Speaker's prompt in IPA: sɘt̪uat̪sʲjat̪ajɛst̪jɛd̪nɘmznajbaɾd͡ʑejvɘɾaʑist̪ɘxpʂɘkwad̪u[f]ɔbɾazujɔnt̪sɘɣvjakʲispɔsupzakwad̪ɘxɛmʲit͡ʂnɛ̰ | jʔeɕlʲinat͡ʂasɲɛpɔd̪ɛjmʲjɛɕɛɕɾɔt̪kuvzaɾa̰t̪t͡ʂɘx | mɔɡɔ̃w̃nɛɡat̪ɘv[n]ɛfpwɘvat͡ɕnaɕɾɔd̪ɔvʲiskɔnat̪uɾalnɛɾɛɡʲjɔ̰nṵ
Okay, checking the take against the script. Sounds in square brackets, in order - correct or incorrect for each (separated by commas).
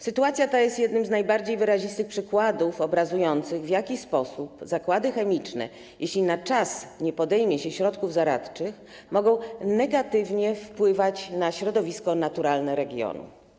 correct, incorrect